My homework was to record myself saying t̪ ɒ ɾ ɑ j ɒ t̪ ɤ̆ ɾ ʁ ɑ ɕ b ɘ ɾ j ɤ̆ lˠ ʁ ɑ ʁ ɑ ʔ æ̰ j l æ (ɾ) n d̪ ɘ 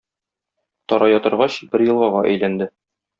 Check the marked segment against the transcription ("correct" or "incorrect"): incorrect